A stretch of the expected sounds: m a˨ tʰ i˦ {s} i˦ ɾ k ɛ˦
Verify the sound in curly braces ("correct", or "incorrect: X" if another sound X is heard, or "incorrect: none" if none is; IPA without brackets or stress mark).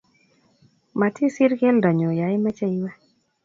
correct